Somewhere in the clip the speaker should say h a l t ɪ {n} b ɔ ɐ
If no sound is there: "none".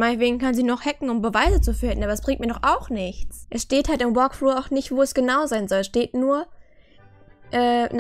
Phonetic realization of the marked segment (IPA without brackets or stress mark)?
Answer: m